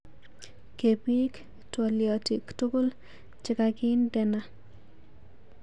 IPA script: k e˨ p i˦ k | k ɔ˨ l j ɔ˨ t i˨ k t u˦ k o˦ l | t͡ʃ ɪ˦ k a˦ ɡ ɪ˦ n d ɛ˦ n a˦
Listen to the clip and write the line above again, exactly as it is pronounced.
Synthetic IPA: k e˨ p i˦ k | t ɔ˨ l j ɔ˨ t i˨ k t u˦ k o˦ l | t͡ʃ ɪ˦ k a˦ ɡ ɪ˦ n d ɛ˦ n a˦